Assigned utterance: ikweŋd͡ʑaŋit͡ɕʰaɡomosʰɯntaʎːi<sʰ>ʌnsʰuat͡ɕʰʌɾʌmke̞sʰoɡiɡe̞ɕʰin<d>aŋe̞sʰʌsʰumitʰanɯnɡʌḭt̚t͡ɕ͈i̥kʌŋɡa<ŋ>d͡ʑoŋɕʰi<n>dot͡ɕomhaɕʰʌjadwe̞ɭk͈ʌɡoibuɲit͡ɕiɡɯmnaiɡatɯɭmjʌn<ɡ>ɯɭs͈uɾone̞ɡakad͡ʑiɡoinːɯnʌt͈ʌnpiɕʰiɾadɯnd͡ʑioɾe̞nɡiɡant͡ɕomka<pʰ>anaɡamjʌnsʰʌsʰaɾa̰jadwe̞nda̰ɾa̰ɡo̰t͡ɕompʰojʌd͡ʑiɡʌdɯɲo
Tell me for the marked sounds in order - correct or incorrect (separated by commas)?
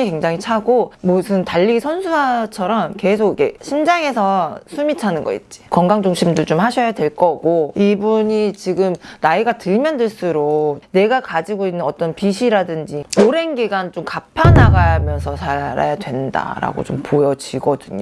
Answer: correct, incorrect, correct, incorrect, incorrect, correct